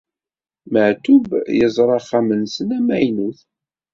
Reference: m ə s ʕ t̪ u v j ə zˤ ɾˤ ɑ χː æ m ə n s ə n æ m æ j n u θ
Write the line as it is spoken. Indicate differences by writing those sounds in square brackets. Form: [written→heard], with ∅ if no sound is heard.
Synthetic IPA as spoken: m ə [s→∅] ʕ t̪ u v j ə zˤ ɾˤ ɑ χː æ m ə n s ə n æ m æ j n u θ